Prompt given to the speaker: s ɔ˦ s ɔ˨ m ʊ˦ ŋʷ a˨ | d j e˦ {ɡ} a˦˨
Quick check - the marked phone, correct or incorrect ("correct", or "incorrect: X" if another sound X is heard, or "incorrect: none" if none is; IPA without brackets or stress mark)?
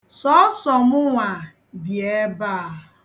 incorrect: b